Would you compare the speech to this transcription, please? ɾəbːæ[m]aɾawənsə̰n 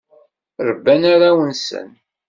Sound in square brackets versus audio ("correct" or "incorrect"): incorrect